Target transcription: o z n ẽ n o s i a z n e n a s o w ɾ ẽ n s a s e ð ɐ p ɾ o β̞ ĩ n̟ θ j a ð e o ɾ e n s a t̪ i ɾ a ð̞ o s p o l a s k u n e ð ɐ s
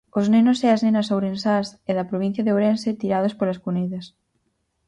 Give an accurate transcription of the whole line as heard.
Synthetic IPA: o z n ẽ n o s e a z n e n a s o w ɾ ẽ n s a s e ð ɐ p ɾ o β̞ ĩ n̟ θ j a ð e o ɾ e n s e t̪ i ɾ a ð̞ o s p o l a s k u n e ð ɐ s